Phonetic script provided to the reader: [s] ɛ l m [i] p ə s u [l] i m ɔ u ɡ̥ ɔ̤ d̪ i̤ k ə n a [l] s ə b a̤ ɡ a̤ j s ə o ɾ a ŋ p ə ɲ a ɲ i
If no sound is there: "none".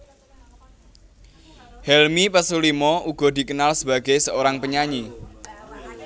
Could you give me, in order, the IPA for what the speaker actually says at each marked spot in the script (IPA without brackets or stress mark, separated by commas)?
h, i, l, l